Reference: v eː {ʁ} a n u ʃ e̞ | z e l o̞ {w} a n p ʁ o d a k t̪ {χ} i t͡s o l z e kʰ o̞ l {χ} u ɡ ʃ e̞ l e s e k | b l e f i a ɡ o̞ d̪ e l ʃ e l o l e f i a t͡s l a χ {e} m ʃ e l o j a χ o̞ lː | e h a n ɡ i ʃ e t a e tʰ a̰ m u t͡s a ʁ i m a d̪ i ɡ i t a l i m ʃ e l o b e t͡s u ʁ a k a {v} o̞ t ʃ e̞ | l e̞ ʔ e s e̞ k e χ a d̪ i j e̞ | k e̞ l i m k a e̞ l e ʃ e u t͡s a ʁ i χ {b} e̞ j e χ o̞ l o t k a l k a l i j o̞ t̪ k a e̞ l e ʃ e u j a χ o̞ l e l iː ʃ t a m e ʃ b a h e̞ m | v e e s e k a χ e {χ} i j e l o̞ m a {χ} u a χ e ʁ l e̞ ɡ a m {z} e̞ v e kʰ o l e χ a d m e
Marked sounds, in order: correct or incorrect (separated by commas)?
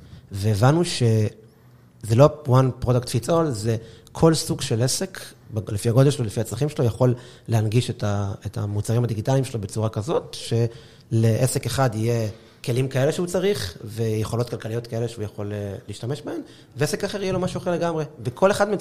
incorrect, correct, incorrect, incorrect, incorrect, incorrect, incorrect, incorrect, incorrect, incorrect